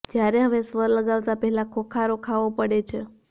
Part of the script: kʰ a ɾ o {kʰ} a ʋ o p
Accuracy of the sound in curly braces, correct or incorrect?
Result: correct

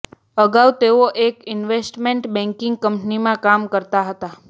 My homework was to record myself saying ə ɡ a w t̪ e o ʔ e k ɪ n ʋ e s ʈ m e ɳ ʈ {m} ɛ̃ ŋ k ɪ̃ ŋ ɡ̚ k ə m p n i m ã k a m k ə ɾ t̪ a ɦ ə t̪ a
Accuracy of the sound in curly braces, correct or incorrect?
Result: incorrect: b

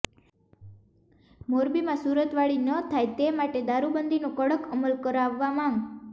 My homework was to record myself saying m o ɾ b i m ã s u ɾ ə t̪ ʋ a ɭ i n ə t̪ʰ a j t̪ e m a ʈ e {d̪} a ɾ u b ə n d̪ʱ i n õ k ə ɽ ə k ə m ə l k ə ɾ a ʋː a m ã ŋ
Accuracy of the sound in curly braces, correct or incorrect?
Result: correct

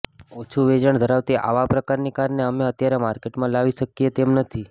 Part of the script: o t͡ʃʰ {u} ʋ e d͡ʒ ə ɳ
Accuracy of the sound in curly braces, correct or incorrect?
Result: correct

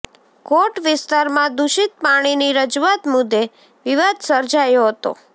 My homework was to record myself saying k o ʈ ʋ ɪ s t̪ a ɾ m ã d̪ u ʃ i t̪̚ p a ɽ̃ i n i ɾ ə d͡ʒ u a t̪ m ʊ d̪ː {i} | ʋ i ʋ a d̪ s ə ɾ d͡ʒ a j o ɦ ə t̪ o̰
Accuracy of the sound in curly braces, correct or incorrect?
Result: incorrect: e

